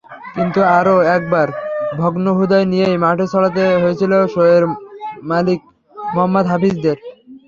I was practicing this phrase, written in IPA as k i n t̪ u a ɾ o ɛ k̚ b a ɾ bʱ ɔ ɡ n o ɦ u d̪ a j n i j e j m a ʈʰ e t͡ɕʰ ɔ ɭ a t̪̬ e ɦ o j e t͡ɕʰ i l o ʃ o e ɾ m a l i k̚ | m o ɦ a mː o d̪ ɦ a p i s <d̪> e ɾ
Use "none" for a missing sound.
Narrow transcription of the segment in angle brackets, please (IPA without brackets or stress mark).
d̪